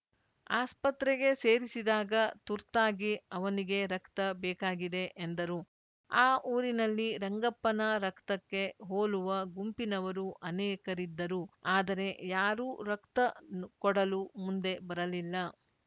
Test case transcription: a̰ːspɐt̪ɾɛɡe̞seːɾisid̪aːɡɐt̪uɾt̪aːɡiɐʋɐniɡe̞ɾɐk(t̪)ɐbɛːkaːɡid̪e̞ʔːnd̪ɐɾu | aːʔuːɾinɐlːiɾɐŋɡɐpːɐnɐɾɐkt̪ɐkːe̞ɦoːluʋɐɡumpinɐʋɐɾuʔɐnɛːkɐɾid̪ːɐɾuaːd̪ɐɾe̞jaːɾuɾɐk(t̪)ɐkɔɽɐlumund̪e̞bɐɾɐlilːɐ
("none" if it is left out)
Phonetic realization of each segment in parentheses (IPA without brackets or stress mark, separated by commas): t̪, t̪